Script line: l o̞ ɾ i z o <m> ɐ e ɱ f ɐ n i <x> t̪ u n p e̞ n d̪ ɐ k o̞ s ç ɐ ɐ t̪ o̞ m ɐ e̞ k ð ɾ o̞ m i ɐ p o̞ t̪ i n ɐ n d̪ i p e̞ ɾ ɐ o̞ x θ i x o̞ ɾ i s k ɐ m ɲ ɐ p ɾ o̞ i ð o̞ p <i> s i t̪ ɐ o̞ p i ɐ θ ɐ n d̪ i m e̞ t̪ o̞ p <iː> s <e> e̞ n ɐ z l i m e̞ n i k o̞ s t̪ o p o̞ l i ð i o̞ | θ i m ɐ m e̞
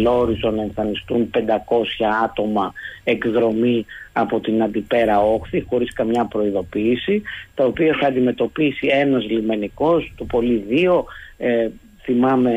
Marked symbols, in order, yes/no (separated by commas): no, no, no, no, no